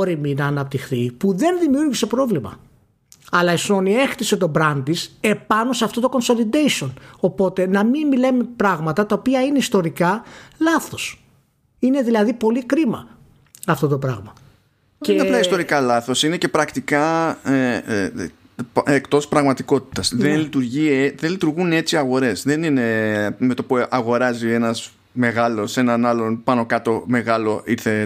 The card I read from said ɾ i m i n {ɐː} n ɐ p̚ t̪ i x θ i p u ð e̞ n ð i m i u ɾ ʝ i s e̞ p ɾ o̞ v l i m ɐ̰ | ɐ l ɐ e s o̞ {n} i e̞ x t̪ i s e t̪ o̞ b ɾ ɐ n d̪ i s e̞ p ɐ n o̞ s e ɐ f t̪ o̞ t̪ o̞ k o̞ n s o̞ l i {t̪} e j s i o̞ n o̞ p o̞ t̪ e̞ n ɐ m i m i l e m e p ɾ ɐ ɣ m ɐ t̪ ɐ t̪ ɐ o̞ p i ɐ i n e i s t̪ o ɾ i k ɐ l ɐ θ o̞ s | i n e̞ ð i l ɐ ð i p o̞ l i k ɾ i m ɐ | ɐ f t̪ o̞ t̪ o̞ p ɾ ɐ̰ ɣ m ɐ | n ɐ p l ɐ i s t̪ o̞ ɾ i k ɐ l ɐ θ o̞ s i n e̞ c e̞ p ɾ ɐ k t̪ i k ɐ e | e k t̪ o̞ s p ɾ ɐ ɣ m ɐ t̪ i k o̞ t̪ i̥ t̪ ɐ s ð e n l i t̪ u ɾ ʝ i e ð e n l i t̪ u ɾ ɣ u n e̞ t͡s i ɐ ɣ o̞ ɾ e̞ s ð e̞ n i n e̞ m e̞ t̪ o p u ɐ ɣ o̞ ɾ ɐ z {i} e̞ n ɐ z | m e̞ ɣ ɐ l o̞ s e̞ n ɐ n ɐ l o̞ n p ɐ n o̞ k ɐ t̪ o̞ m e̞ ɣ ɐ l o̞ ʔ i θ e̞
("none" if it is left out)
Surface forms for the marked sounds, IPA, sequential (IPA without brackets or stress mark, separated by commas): ɐː, n, d̪, i